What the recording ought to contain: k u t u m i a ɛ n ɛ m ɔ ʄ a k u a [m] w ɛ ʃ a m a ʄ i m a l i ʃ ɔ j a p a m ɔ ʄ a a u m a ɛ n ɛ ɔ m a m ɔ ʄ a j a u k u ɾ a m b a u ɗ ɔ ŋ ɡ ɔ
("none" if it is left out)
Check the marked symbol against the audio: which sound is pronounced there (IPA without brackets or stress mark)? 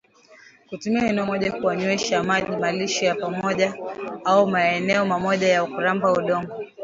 ɲ